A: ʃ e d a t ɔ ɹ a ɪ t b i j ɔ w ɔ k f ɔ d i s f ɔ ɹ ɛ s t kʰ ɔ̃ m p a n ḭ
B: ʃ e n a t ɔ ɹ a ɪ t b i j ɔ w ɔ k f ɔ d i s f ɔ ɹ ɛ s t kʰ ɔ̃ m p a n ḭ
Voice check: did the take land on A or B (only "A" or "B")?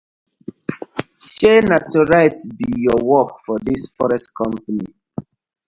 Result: B